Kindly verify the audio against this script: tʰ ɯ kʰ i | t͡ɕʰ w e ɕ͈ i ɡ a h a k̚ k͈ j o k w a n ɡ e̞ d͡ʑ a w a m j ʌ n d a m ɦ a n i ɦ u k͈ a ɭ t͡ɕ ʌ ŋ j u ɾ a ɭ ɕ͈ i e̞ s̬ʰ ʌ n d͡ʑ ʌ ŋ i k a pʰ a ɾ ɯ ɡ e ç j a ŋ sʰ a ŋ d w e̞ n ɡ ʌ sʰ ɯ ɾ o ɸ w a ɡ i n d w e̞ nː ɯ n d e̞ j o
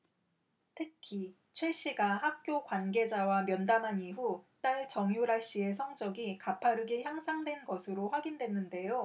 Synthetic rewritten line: tʰ ɯ kʰ i | t͡ɕʰ w e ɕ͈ i ɡ a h a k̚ k͈ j o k w a n ɡ e̞ d͡ʑ a w a m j ʌ n d a m ɦ a n i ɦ u t͈ a ɭ t͡ɕ ʌ ŋ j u ɾ a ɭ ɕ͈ i e̞ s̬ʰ ʌ ŋ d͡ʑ ʌ ɡ i k a pʰ a ɾ ɯ ɡ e ç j a ŋ sʰ a ŋ d w e̞ n ɡ ʌ sʰ ɯ ɾ o ɸ w a ɡ i n d w e̞ nː ɯ n d e̞ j o